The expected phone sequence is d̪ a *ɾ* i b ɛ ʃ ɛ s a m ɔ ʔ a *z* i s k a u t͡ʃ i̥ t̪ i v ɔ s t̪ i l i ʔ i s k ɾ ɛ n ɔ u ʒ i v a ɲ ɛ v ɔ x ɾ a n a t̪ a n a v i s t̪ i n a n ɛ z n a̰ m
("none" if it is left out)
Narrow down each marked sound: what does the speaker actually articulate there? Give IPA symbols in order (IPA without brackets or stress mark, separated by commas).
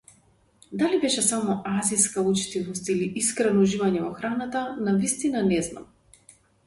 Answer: l, z